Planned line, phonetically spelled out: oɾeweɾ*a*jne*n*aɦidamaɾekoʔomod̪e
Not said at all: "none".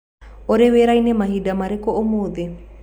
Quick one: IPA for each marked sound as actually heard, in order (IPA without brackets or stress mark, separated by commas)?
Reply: a, m